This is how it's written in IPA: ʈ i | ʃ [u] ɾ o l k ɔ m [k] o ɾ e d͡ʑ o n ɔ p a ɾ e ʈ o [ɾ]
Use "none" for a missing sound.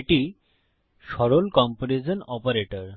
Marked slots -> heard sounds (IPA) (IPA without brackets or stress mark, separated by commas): ɔ, p, ɾ